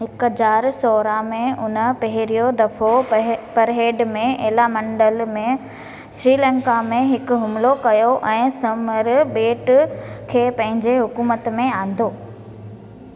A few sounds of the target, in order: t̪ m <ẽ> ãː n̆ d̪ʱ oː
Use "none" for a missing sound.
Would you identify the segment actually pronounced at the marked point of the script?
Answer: ẽ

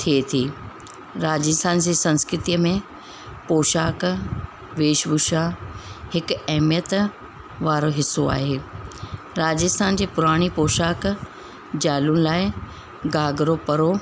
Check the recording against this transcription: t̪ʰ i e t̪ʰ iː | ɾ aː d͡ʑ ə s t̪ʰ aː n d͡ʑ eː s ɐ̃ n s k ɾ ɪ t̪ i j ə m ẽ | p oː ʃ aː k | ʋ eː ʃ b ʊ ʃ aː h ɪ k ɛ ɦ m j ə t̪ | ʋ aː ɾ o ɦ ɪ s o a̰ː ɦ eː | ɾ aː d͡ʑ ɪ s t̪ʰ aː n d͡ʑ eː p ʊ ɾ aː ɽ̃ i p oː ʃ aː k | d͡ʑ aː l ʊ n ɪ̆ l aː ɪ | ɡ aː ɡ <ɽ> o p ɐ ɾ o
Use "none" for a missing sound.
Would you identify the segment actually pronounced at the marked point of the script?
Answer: ɾ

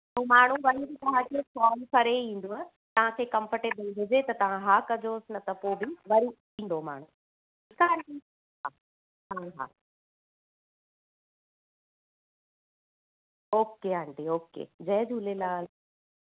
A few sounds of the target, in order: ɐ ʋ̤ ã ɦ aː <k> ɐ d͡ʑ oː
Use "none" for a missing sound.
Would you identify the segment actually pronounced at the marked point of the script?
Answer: k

